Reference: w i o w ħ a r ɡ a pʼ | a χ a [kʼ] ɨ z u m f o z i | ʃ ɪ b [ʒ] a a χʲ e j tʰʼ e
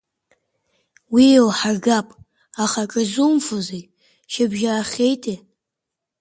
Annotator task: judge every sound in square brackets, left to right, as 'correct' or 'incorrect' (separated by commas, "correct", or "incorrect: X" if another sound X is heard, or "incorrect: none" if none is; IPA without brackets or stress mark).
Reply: correct, correct